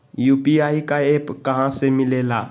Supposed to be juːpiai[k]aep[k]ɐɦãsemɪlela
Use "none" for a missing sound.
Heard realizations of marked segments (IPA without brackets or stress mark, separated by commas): k, k